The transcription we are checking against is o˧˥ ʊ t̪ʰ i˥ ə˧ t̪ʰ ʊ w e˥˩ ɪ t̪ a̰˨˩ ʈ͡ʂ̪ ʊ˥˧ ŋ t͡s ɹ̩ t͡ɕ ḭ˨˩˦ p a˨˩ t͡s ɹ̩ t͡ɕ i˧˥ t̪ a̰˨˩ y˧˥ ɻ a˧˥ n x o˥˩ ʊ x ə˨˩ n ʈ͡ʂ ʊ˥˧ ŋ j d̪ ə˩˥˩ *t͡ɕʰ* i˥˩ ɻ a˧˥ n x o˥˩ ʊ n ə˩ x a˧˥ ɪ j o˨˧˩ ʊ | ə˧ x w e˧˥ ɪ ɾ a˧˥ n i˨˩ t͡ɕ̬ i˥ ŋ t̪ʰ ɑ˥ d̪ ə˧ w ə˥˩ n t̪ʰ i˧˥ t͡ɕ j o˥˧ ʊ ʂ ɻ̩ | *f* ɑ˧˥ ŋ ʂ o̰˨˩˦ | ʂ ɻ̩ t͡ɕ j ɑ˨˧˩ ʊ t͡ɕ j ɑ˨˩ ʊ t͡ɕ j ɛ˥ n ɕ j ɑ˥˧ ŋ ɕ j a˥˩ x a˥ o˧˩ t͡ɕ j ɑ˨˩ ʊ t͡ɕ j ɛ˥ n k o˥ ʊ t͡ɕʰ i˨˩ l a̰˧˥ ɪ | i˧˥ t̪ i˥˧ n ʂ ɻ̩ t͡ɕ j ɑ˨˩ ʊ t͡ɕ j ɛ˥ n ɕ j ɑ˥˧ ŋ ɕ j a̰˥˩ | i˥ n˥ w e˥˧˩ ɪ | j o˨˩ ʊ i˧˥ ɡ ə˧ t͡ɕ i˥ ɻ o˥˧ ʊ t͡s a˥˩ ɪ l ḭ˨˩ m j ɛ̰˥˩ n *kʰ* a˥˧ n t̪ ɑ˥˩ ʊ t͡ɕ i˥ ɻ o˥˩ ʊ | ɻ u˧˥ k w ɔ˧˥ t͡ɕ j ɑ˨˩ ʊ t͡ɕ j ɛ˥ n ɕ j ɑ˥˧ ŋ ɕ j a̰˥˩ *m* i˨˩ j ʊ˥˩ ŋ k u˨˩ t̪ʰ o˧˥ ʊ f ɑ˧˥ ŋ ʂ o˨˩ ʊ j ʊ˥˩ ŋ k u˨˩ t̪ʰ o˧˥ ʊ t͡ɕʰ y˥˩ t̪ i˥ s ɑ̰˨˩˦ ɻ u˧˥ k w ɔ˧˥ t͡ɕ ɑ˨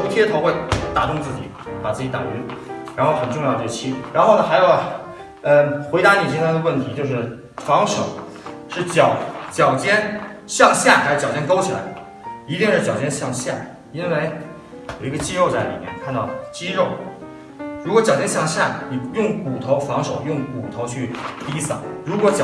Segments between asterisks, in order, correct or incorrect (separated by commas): correct, correct, correct, incorrect